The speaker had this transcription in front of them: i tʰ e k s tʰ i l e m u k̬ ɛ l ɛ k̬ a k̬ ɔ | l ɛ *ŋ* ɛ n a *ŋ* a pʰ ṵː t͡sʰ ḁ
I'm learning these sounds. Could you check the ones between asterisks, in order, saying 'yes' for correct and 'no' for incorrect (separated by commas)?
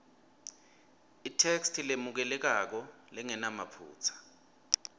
yes, no